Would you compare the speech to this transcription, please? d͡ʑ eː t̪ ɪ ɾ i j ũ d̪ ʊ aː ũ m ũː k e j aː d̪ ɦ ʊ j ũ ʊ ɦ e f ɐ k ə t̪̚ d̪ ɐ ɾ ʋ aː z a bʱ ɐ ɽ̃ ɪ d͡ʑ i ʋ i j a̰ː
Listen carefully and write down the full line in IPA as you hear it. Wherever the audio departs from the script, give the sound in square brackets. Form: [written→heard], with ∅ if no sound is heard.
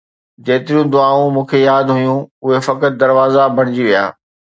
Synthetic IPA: d͡ʑ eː t̪ ɪ ɾ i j ũ d̪ ʊ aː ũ m ũː [k→kʰ] e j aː d̪ ɦ ʊ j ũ ʊ ɦ e f ɐ k ə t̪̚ d̪ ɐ ɾ ʋ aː z a bʱ ɐ ɽ̃ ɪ d͡ʑ i ʋ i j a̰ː